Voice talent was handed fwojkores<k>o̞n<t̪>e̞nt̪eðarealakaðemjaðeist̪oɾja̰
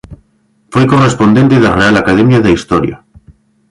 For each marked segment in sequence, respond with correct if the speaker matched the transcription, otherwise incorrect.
incorrect, incorrect

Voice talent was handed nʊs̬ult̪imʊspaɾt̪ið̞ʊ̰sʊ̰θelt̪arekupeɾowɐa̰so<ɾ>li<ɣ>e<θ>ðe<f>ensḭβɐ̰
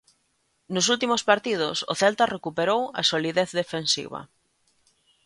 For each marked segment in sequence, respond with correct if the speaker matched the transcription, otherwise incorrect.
incorrect, incorrect, correct, correct

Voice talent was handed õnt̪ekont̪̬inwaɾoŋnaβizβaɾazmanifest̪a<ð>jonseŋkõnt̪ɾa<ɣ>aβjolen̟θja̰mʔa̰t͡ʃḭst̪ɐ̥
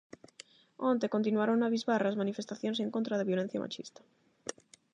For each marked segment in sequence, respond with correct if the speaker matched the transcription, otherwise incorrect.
incorrect, incorrect

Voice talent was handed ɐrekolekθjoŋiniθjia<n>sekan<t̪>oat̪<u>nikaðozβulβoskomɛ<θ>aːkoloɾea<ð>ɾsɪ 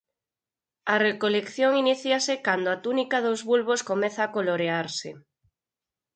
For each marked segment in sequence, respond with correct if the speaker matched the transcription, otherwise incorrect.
incorrect, incorrect, correct, correct, incorrect

